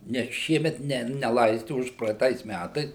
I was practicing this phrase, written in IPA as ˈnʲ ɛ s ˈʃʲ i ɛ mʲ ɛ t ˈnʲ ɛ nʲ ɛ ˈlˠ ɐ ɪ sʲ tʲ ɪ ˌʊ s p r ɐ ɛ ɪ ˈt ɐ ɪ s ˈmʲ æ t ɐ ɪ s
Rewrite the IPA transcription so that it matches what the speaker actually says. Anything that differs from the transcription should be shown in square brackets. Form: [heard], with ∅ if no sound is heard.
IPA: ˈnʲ ɛ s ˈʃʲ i ɛ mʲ ɛ t ˈnʲ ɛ nʲ ɛ ˈlˠ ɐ ɪ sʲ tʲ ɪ ˌʊ [ʃ] p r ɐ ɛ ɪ ˈt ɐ ɪ s ˈmʲ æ t ɐ ɪ s